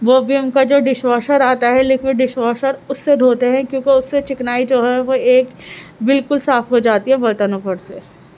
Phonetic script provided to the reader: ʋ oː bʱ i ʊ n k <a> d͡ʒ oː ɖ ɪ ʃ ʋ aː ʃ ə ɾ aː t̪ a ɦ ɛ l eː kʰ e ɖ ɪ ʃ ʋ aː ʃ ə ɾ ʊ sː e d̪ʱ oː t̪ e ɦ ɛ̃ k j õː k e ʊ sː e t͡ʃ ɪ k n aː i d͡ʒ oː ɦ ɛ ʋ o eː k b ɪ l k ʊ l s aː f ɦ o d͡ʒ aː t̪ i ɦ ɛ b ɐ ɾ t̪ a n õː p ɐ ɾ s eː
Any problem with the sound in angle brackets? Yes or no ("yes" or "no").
no